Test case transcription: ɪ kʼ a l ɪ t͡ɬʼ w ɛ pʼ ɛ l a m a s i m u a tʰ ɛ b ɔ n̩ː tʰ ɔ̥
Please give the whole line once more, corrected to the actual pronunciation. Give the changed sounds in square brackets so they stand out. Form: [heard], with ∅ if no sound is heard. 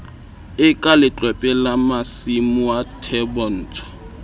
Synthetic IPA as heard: ɪ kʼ a l ɪ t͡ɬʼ w ɛ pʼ ɛ l a m a s i m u a tʰ ɛ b ɔ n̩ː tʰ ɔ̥

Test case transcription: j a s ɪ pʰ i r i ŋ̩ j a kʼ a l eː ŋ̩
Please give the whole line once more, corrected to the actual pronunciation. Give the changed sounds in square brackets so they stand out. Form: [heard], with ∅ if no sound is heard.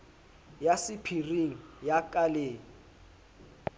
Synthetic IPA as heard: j a s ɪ pʰ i r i ŋ̩ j a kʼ a l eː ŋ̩

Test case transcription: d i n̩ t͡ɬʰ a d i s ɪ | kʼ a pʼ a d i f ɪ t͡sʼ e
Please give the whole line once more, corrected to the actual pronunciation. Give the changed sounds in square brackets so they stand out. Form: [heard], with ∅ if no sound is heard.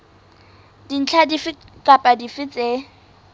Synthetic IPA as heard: d i n̩ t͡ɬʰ a d i [f] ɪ | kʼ a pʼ a d i f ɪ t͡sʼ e

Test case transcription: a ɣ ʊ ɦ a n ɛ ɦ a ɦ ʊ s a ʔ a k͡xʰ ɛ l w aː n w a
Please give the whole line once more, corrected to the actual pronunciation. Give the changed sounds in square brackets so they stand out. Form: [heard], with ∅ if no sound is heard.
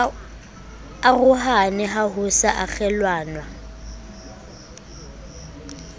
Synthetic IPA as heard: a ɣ ʊ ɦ a n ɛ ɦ a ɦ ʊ s a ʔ a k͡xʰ ɛ l w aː n w a

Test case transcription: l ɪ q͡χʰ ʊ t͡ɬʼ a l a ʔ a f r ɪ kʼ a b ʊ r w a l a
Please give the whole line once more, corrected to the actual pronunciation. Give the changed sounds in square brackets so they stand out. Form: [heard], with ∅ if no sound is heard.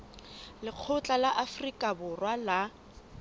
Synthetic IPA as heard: l ɪ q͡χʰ ʊ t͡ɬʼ a l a ʔ a f r [i] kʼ a b ʊ r w a l a

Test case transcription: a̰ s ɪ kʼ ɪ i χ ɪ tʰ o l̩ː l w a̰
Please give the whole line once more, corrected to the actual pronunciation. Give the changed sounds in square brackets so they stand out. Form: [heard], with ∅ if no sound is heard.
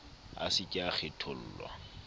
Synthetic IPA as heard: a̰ s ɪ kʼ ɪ [a] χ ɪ tʰ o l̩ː l w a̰

